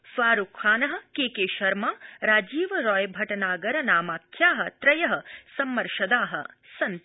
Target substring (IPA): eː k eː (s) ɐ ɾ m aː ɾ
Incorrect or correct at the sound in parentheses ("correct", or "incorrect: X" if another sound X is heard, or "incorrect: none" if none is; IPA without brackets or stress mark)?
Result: incorrect: ʃ